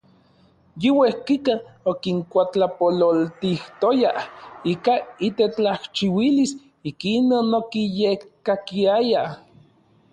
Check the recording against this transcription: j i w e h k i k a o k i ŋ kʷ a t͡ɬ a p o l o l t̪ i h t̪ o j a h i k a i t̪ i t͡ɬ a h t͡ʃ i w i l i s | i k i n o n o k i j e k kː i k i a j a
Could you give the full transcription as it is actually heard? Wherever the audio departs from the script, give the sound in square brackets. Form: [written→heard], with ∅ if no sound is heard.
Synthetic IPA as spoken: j i w e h k i k a o k i ŋ kʷ a t͡ɬ a p o l o l t̪ i h t̪ o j a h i k a i t̪ [i→e] t͡ɬ a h t͡ʃ i w i l i s | i k i n o n o k i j e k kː [i→a] k i a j a